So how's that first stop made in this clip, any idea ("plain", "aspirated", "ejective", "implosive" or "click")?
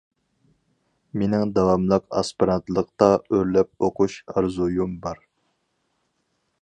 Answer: plain